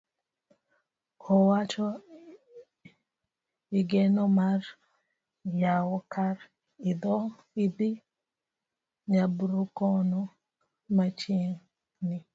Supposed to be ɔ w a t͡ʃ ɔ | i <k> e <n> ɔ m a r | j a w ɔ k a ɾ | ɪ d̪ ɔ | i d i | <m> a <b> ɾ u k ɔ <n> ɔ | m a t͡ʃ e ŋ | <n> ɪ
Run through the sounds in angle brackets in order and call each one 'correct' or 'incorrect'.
incorrect: ɡ, correct, incorrect: ɲ, correct, correct, correct

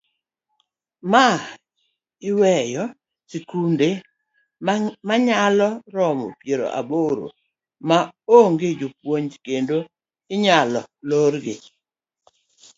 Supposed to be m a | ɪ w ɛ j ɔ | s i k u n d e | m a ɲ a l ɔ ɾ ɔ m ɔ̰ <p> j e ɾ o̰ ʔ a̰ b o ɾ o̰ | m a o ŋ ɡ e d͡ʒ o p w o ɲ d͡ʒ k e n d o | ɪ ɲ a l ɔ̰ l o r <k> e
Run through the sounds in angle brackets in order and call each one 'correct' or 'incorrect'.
correct, incorrect: ɡ

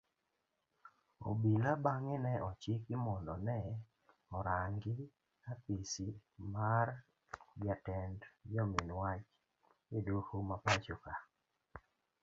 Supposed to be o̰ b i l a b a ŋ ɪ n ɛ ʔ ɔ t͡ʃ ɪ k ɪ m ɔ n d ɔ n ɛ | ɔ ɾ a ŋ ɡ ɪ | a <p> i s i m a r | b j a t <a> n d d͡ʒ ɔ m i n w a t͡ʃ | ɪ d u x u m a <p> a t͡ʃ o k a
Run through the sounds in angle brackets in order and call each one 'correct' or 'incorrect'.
correct, incorrect: ɛ, correct

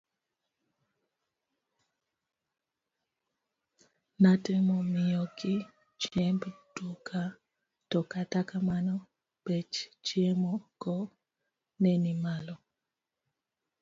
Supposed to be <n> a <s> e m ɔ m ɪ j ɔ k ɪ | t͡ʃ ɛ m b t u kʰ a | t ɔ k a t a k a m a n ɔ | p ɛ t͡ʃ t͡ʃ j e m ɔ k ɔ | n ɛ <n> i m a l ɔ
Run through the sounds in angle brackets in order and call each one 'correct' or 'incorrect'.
correct, incorrect: t, correct

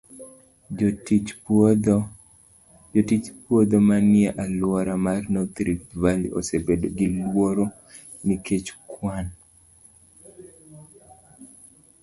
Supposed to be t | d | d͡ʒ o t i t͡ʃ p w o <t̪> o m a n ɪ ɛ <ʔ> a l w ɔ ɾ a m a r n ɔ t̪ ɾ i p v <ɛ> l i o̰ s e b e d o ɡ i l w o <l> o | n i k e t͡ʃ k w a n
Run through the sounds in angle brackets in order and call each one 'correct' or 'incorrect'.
incorrect: d̪, correct, incorrect: a, incorrect: ɾ

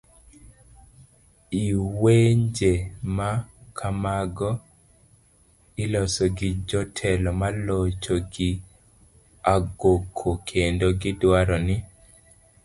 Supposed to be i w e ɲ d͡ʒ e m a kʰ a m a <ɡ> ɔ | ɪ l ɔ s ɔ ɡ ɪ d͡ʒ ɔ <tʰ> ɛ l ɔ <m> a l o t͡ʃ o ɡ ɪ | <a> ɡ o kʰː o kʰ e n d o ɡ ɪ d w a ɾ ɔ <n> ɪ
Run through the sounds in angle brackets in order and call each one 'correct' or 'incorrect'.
correct, correct, correct, correct, correct

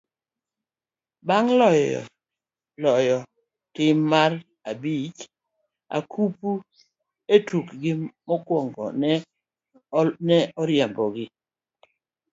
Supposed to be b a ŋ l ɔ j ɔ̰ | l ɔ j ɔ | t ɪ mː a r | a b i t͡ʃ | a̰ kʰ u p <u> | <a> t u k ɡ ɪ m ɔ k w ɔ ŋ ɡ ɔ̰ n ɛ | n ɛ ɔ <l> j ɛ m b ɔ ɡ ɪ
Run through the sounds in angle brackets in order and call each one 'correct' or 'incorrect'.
correct, incorrect: e, incorrect: ɾ

